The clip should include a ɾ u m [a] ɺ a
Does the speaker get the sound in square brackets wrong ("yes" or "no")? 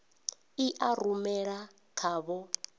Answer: yes